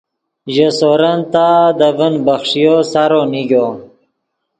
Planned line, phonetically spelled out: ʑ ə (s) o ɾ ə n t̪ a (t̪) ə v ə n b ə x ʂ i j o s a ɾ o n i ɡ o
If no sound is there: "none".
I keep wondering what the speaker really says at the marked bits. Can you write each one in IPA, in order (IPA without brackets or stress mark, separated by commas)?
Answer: s, d̪